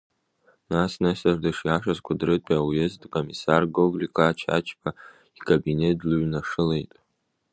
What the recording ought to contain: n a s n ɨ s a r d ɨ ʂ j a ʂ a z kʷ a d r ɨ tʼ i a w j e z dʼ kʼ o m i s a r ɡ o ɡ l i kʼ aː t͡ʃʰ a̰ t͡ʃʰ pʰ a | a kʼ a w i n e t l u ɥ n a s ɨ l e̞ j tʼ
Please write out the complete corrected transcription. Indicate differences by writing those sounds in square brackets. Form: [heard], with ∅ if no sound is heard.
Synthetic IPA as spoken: n a s n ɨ s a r d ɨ ʂ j a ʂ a z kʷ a d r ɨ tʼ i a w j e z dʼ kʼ o m i s a r ɡ o ɡ l i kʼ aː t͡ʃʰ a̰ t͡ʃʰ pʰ a | [i] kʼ a [b] i n e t l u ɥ n a [ʂ] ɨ l e̞ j tʼ